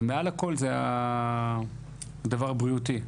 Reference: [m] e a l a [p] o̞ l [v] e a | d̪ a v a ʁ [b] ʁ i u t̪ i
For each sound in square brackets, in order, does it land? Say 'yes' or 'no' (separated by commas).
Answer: yes, no, no, yes